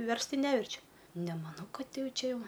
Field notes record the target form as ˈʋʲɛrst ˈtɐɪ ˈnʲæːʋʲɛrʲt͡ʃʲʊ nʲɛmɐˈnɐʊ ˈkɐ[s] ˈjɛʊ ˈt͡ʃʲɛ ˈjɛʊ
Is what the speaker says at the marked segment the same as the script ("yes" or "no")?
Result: no